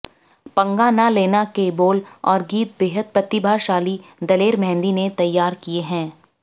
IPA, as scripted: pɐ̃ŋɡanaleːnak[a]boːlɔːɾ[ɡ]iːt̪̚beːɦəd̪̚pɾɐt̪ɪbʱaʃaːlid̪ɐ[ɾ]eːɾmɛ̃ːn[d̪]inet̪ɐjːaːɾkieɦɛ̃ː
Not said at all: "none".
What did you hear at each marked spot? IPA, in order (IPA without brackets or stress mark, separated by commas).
e, ɡ, l, d̪